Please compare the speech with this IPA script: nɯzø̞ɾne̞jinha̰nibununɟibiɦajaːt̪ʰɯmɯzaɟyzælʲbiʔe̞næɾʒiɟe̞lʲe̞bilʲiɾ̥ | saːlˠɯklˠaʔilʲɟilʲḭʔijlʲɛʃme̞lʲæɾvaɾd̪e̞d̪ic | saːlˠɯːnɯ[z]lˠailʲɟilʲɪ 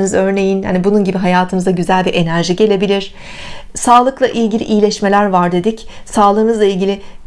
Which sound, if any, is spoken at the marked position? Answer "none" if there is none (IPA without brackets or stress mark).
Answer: z